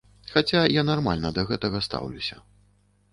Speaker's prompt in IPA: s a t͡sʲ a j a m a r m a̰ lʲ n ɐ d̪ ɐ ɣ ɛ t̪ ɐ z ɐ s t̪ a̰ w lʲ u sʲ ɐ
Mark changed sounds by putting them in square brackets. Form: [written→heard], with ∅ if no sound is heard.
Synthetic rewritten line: [s→x] a t͡sʲ a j a [m→n] a r m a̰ lʲ n ɐ d̪ ɐ ɣ ɛ t̪ ɐ [z→ɣ] ɐ s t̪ a̰ w lʲ u sʲ ɐ